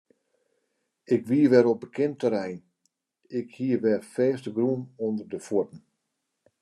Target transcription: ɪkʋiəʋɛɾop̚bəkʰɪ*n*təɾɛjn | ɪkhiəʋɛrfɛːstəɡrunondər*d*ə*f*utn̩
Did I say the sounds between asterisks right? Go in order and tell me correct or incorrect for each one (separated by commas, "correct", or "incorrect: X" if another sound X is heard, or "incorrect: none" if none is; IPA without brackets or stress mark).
correct, correct, correct